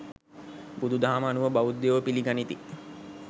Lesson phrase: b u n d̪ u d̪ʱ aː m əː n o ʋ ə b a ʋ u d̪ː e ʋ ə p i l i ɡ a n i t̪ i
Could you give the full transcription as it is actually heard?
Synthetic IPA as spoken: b u d̪ u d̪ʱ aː m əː n u ʋ ə b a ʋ u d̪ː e ʋ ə p i l i ɡ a n i t̪ i